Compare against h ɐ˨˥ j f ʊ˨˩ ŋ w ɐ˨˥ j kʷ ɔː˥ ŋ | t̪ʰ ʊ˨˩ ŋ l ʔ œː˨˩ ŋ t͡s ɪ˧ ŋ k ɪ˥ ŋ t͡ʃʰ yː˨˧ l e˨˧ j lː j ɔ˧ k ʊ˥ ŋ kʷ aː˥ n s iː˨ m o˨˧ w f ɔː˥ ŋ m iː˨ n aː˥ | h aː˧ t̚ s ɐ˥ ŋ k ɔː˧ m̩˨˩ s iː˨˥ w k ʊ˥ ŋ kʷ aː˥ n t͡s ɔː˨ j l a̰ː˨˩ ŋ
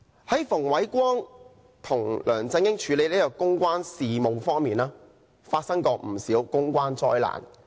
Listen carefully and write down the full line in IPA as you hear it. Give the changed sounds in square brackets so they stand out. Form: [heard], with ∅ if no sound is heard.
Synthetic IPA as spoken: h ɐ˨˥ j f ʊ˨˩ ŋ w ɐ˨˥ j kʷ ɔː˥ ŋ | t̪ʰ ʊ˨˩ ŋ l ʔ œː˨˩ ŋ t͡s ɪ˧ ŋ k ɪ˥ ŋ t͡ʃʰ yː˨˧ l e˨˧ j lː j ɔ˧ k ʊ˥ ŋ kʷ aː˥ n s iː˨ m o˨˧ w f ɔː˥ ŋ m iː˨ n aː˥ | [f] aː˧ t̚ s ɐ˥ ŋ k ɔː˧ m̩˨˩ s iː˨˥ w k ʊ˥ ŋ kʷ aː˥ n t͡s [ɔː˥] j l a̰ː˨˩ [n]